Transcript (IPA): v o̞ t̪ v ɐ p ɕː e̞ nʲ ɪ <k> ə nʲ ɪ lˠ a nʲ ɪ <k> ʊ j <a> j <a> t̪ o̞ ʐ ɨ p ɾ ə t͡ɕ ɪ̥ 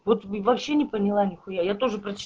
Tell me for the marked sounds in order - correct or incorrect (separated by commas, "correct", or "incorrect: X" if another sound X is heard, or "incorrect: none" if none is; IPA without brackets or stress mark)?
incorrect: p, incorrect: x, correct, correct